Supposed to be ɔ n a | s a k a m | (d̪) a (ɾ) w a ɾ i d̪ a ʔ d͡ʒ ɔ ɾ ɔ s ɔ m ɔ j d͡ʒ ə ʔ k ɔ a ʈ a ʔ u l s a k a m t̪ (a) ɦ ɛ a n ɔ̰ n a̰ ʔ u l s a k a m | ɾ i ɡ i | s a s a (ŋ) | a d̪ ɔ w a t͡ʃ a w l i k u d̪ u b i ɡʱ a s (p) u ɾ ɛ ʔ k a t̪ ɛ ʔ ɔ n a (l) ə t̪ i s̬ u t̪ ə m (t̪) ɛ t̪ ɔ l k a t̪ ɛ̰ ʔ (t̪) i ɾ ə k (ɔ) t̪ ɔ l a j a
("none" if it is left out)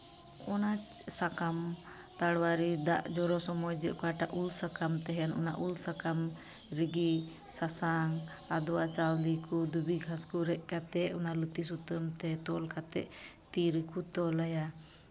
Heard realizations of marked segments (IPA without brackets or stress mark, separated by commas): t̪, ɽ, ɛ, ŋ, k, l, t̪, t̪, u